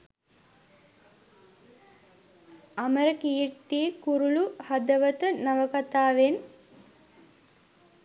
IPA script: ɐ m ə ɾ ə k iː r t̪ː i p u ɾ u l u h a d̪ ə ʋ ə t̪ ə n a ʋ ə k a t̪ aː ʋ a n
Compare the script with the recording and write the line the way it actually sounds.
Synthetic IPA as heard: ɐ m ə ɾ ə k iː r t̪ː i k u ɾ u l u h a d̪ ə ʋ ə t̪ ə n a ʋ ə k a t̪ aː ʋ e n